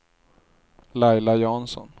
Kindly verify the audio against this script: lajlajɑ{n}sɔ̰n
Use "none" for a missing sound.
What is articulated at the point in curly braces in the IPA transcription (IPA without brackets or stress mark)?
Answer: n